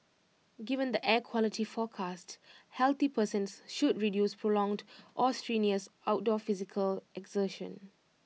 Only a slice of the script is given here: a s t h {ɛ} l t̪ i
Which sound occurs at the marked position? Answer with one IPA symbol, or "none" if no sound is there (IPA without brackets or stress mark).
ɛ